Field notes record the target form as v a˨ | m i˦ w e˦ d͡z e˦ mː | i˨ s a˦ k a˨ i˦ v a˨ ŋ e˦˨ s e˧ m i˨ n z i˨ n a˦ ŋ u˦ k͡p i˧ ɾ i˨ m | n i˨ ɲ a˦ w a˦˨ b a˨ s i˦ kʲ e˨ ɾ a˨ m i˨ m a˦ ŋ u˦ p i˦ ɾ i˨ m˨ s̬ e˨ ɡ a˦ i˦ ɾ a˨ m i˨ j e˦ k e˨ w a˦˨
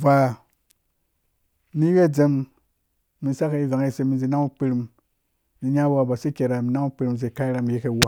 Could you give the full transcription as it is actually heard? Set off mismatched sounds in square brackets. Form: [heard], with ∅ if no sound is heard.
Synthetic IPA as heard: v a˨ | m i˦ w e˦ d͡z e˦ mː | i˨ s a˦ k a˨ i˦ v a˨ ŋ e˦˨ s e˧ m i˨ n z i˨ n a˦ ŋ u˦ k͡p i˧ ɾ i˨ m | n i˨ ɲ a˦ w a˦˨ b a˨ s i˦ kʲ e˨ ɾ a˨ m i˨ [n] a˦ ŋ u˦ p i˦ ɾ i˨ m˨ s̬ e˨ [k] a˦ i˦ ɾ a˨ m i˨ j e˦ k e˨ w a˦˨